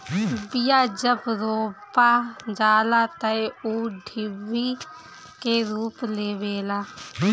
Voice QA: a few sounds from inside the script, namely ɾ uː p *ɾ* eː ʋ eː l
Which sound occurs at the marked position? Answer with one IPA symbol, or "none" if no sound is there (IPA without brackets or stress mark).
l